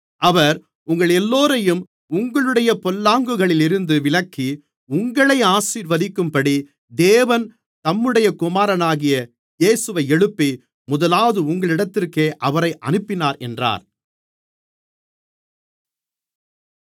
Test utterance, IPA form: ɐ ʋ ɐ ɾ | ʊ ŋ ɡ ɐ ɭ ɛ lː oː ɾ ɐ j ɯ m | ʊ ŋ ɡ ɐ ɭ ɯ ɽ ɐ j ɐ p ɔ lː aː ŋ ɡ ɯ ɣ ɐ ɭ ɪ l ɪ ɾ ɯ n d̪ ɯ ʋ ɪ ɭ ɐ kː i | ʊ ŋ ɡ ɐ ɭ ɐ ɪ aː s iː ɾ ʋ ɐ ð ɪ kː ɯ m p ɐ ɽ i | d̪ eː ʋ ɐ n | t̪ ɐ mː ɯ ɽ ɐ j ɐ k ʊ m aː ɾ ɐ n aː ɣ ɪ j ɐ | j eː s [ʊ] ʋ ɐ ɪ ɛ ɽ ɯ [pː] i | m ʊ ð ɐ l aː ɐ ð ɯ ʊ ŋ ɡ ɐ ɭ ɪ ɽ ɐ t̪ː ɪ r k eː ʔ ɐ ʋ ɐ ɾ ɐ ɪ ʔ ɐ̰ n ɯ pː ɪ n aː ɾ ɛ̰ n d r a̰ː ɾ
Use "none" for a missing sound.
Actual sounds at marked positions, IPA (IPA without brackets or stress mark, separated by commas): ɯ, pː